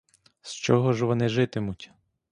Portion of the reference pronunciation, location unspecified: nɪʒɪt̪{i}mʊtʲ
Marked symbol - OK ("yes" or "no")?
no